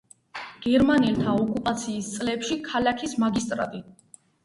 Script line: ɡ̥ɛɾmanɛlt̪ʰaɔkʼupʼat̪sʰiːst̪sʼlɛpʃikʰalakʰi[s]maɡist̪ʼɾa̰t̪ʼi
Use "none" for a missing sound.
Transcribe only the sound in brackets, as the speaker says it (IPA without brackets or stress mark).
s